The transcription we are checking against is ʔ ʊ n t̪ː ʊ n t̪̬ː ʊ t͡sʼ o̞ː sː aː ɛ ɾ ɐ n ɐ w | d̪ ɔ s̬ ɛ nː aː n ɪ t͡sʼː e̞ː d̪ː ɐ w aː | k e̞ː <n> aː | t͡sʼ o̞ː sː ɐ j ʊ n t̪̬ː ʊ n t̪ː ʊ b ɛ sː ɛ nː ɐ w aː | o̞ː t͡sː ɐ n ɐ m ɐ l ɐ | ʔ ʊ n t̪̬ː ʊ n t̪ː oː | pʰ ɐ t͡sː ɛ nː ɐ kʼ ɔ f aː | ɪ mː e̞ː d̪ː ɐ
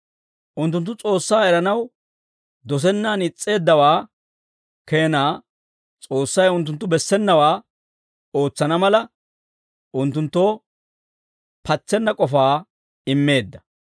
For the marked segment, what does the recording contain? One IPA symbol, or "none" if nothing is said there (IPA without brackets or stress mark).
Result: n